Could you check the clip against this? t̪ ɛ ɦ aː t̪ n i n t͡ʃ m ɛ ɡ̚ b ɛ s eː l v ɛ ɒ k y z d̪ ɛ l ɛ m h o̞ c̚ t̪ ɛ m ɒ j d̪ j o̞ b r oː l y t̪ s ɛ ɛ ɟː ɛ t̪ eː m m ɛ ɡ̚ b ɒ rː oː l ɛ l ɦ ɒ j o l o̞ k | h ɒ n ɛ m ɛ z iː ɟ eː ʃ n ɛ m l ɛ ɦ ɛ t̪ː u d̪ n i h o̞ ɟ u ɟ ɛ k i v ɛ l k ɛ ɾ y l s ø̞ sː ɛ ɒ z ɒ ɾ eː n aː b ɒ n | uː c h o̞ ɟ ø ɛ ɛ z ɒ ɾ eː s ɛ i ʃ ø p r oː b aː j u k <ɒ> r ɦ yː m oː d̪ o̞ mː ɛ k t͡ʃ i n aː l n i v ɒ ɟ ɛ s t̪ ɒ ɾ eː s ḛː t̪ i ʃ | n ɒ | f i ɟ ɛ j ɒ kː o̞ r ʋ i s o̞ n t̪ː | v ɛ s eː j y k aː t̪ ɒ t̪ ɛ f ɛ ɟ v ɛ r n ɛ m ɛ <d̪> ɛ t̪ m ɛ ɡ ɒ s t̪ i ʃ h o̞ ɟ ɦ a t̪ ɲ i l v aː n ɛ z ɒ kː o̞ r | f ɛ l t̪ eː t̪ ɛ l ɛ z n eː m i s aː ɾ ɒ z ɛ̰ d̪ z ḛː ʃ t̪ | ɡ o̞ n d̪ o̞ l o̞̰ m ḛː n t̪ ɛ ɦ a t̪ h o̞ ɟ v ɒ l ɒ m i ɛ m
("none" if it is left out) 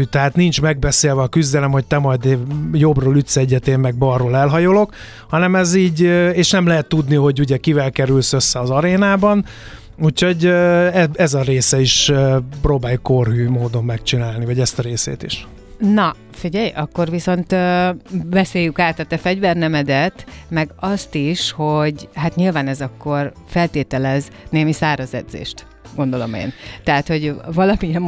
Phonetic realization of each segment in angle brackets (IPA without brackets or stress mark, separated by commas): o, d̪